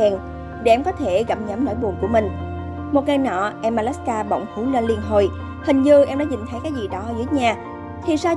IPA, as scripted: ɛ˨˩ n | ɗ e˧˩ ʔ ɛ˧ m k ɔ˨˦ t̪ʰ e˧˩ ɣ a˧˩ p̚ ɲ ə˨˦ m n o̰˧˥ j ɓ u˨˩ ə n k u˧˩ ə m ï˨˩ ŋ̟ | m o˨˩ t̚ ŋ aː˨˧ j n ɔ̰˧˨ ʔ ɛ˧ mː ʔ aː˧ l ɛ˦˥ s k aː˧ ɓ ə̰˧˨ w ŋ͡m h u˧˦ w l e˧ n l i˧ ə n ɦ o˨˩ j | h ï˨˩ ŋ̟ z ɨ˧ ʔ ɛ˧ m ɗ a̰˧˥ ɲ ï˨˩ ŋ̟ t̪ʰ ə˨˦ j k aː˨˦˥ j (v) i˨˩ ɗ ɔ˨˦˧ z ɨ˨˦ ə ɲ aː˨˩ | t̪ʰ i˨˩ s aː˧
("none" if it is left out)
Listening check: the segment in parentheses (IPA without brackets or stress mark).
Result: z